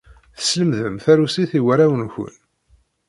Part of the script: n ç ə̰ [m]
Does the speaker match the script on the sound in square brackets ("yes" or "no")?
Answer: no